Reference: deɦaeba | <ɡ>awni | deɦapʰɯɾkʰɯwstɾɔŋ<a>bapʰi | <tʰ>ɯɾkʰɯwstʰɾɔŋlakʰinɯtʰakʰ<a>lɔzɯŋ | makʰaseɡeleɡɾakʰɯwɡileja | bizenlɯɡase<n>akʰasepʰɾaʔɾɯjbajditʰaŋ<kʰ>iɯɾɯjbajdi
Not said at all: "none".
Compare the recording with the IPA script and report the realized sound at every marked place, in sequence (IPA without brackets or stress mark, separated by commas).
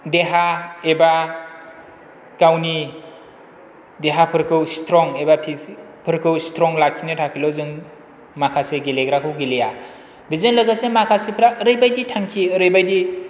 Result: k, e, pʰ, i, m, kʰ